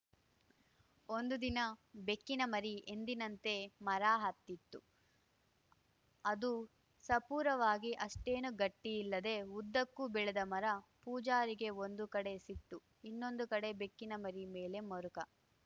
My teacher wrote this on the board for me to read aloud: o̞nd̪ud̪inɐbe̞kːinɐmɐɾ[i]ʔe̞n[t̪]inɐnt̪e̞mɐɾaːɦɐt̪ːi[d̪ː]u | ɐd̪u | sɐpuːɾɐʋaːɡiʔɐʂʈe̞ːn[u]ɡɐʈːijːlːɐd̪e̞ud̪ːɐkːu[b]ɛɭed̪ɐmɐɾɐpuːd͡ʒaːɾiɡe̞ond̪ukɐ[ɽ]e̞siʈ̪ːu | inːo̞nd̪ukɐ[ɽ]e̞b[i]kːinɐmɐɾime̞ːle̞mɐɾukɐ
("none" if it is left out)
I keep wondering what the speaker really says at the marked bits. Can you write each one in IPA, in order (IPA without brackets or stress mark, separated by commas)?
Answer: i, d̪, t̪ː, u, b, ɽ, ɽ, e